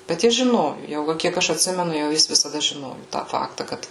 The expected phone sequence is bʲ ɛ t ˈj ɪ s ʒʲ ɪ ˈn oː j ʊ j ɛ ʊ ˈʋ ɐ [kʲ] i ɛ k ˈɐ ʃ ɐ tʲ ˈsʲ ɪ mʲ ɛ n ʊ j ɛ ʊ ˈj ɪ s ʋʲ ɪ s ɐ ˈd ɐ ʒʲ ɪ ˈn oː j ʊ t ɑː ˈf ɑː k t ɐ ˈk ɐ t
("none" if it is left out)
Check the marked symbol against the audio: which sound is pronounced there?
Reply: kʲ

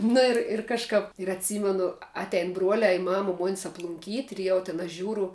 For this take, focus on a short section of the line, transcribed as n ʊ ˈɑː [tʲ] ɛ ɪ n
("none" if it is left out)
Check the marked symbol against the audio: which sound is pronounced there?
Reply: tʲ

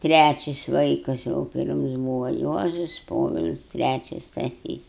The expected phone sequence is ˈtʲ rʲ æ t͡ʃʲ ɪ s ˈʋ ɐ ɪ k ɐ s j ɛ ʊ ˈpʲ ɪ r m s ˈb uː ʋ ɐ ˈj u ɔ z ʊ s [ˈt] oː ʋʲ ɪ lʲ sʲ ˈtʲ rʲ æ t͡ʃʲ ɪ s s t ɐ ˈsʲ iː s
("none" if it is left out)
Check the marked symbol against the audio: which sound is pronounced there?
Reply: p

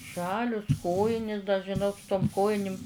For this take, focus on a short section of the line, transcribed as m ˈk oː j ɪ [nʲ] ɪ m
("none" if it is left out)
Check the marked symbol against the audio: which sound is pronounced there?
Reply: nʲ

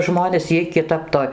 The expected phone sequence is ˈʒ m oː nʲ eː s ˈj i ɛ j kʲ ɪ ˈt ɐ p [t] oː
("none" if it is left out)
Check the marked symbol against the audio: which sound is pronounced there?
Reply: t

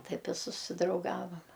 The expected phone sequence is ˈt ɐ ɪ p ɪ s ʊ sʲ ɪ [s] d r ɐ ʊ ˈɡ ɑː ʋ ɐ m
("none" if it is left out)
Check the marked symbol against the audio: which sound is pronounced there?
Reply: none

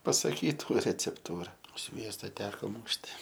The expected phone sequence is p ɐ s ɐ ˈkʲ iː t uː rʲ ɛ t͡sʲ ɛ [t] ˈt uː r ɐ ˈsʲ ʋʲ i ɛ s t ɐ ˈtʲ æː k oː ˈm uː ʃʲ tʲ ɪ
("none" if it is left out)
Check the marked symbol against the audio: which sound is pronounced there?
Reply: p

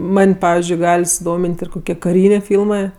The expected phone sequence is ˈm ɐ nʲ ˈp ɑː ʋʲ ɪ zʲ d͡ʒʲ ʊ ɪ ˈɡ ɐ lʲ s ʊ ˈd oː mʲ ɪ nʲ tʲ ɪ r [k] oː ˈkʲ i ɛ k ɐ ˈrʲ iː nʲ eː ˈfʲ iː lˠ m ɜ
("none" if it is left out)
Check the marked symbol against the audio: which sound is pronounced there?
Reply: k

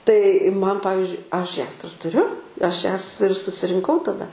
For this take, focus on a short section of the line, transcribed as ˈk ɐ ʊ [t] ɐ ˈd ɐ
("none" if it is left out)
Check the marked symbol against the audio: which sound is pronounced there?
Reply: t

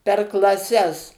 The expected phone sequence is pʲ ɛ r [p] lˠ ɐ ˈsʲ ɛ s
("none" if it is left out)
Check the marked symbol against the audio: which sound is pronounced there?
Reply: k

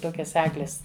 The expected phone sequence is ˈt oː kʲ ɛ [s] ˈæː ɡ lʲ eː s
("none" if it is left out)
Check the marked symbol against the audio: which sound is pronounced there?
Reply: s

